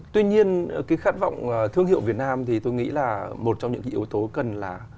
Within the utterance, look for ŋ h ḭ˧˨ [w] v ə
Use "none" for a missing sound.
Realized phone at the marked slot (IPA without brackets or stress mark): w